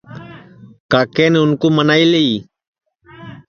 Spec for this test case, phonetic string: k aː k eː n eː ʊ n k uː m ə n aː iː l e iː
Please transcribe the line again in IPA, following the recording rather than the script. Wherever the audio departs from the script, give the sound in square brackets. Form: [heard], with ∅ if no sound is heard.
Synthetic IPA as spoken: k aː k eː n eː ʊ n k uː m ə n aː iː l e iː